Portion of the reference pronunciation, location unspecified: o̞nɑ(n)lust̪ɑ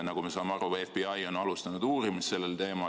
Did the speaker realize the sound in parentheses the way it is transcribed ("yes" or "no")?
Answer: no